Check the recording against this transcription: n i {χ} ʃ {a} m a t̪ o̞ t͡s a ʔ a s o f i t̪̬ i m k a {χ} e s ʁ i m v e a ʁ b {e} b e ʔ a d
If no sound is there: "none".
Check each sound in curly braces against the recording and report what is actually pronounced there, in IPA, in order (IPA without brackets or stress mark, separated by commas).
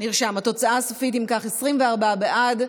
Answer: ʁ, a, χ, a